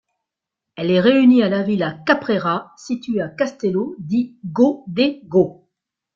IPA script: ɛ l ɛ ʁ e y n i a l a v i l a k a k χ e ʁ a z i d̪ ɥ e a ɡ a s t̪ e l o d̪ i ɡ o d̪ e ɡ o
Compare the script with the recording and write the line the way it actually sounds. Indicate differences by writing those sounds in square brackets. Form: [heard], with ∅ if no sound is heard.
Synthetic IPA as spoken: ɛ l ɛ ʁ e y n i a l a v i l a k a [p] χ e ʁ a [s] i [t̪] ɥ e a [k] a s t̪ e l o d̪ i ɡ o d̪ e ɡ o